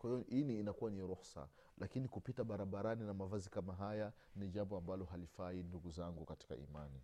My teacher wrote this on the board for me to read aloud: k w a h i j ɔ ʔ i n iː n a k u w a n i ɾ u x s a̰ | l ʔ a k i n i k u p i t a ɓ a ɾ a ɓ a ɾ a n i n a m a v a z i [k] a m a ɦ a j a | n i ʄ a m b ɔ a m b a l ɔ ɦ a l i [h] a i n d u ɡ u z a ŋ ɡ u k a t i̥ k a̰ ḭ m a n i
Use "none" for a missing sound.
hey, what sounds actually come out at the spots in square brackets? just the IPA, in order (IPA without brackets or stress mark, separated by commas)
k, f